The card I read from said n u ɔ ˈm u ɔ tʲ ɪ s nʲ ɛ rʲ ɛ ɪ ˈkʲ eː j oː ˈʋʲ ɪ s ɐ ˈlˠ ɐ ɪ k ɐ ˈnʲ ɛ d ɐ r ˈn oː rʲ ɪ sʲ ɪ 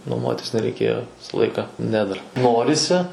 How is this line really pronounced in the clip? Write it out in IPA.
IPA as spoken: n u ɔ ˈm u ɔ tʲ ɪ s nʲ ɛ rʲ ɛ ɪ ˈkʲ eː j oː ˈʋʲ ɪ s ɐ ˈlˠ ɐ ɪ k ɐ ˈnʲ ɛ d ɐ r ˈn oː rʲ ɪ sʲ ɪ